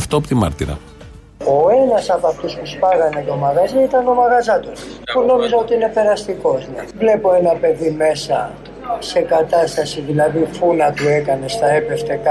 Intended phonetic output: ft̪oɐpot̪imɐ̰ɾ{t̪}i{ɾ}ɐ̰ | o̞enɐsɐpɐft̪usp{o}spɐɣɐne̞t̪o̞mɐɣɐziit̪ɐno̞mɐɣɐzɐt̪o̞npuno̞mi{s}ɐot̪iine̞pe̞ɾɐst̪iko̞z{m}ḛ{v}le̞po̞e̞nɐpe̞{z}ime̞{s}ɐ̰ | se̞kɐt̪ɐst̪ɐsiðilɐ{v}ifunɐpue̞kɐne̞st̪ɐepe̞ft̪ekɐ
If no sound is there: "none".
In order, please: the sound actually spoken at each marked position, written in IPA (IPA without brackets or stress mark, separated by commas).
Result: t̪, ɾ, u, z, n, v, ð, s, ð